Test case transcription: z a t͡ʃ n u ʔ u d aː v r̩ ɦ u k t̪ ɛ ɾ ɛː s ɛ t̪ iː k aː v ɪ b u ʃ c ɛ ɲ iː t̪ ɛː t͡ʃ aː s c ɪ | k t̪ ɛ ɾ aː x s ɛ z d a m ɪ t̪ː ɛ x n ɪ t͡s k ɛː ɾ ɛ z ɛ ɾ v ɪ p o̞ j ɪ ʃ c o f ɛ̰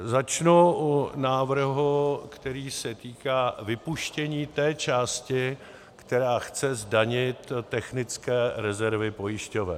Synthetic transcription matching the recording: z a t͡ʃ n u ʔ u n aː v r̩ ɦ u k t̪ ɛ ɾ iː s ɛ t̪ iː k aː v ɪ p u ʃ c ɛ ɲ iː t̪ ɛː t͡ʃ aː s c ɪ | k t̪ ɛ ɾ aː x t͡s ɛ z d a ɲ ɪ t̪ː ɛ x n ɪ t͡s k ɛː ɾ ɛ z ɛ ɾ v ɪ p o̞ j ɪ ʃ c o v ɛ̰